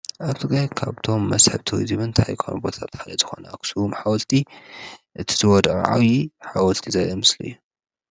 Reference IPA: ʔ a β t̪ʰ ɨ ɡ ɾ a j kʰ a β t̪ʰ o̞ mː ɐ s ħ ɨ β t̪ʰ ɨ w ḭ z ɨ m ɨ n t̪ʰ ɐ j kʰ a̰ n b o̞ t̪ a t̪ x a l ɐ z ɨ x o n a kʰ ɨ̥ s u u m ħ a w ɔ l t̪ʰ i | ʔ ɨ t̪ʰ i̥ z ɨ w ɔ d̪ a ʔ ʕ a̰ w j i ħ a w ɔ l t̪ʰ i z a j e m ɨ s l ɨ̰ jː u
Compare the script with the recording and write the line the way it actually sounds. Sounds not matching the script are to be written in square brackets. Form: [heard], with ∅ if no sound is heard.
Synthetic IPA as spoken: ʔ a β t̪ʰ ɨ ɡ ɾ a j kʰ a β t̪ʰ o̞ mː ɐ s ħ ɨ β t̪ʰ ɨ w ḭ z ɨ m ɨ n t̪ʰ [a] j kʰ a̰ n b o̞ [t̪ʰ] a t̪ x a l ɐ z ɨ x o n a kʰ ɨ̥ s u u m ħ a w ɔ l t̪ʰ i | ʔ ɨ t̪ʰ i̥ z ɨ w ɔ d̪ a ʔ ʕ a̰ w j i ħ a w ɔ l t̪ʰ i z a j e m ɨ s l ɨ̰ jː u